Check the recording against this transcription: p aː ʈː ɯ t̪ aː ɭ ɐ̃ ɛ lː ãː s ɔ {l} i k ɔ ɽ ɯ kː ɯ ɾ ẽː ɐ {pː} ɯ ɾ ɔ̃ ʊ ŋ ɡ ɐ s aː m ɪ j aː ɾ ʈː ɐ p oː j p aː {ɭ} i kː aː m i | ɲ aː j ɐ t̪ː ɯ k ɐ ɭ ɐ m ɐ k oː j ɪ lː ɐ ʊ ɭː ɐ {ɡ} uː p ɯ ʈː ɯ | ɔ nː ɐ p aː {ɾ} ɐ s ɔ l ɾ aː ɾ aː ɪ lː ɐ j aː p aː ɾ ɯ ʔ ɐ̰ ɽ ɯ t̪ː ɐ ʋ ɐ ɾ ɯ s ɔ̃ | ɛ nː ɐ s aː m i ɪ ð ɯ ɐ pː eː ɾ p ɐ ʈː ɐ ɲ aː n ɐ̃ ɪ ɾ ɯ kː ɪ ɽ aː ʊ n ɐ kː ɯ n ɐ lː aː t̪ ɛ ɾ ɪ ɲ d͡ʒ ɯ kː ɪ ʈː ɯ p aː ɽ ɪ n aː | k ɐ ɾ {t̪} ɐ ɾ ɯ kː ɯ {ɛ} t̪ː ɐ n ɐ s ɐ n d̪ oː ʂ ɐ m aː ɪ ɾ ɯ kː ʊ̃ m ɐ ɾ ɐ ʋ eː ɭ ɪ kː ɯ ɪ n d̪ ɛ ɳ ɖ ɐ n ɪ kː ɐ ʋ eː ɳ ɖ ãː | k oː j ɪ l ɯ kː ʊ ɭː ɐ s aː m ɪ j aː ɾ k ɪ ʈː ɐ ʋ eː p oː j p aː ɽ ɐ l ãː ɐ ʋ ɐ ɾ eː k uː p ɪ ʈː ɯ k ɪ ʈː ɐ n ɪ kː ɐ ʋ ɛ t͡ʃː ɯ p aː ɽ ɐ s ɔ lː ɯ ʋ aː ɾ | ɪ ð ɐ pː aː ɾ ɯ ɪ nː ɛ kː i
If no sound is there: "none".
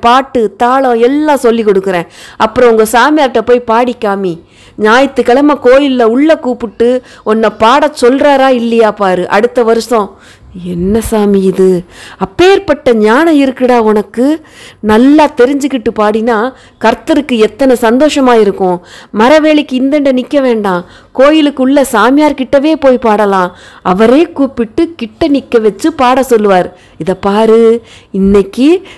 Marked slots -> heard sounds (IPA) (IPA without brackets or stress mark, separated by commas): lː, pː, ɽ, k, ɽ, t̪, ɛ